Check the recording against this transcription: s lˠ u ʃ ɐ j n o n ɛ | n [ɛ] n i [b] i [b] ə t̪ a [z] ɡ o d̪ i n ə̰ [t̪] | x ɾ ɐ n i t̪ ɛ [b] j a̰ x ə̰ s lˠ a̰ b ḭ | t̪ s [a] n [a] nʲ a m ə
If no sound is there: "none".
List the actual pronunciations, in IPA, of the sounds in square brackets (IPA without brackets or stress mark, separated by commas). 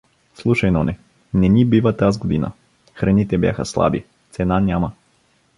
ɛ, b, v, z, none, b, ɛ, a